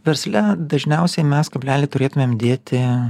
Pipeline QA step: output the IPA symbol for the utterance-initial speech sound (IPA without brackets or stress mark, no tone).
ʋʲ